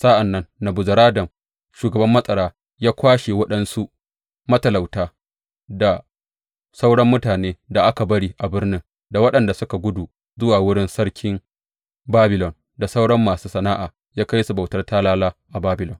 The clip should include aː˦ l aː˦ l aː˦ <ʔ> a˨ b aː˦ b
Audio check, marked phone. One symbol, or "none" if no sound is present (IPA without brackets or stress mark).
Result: ʔ